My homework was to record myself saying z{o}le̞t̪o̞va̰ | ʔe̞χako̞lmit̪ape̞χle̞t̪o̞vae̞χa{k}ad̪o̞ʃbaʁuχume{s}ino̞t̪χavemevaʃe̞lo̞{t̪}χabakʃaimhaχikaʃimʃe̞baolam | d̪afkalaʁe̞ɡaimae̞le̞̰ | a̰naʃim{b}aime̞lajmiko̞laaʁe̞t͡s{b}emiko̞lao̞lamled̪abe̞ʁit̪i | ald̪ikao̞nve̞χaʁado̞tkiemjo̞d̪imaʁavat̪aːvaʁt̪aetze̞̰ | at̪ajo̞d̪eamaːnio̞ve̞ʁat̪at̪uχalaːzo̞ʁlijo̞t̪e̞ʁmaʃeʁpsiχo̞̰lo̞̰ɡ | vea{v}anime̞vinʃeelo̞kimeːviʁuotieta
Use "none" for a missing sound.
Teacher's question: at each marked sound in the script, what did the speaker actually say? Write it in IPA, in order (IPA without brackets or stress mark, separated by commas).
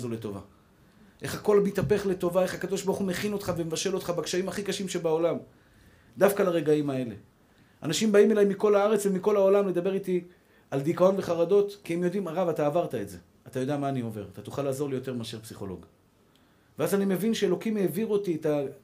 o, k, χ, t̪, b, v, z